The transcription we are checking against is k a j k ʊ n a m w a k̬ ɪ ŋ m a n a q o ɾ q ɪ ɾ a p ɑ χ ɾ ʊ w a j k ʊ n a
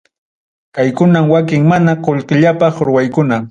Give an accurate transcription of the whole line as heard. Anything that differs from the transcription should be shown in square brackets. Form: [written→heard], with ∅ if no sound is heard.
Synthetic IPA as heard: k a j k ʊ n a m w a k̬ ɪ ŋ m a n a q o [ɾ→ʎ] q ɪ [ɾ→ʎ] a p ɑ χ ɾ ʊ w a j k ʊ n a